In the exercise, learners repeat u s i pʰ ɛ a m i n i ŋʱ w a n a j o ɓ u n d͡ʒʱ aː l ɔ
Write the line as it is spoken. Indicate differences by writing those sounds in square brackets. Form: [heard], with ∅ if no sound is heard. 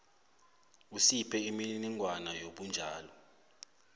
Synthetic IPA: u s i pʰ ɛ [i] m i n i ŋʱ w a n a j o ɓ u n d͡ʒʱ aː l ɔ